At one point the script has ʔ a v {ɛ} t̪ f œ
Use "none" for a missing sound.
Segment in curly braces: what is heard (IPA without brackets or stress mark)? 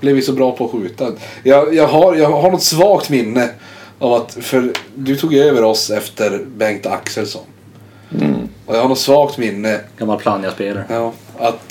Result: a